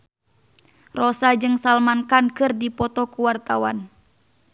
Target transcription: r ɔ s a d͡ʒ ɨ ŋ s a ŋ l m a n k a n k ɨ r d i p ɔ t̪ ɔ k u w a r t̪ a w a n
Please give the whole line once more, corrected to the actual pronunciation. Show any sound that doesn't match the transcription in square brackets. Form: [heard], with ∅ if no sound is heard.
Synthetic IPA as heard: r ɔ s a d͡ʒ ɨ ŋ s a [∅] l m a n k a n k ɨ r d i p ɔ t̪ ɔ k u w a r t̪ a w a n